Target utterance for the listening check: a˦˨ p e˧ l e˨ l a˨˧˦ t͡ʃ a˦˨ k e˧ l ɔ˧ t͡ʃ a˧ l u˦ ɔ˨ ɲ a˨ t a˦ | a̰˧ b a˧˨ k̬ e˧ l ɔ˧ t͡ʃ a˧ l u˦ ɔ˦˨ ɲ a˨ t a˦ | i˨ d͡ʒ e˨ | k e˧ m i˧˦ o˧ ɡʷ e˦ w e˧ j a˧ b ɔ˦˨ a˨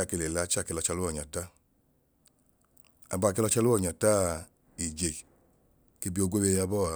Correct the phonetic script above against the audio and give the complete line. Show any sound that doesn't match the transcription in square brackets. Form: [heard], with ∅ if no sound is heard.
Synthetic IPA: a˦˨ [k] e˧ l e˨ l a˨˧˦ t͡ʃ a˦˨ k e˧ l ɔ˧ t͡ʃ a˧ l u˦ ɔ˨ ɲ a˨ t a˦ | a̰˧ b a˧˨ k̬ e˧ l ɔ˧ t͡ʃ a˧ l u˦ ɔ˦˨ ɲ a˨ t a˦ | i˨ d͡ʒ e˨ | k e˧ [b] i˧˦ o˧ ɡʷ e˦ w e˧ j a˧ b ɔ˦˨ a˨